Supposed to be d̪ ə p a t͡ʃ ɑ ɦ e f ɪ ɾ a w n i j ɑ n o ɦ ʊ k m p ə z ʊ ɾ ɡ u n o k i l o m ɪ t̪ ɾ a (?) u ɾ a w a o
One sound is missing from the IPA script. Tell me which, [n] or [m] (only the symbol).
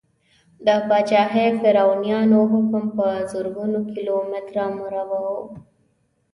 m